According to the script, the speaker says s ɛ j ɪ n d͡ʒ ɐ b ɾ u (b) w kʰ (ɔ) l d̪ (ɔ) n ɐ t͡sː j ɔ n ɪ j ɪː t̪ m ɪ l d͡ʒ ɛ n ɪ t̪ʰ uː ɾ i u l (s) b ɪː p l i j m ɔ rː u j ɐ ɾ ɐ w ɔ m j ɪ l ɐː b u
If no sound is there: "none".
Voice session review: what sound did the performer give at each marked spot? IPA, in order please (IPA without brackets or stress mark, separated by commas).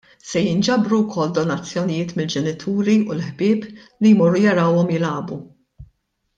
none, ɔ, ɔ, ħ